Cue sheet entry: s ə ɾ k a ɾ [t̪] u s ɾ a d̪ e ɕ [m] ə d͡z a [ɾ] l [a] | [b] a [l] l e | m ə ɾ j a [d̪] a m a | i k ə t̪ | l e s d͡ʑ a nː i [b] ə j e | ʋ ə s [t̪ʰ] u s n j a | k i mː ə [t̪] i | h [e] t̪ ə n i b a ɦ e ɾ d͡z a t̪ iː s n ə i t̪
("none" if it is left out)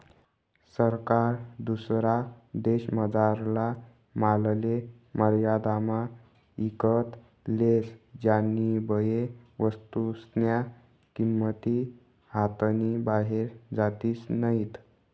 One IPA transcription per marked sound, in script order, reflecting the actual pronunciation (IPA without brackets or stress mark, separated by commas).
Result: d̪, m, ɾ, a, m, l, d̪, b, t̪, t̪, a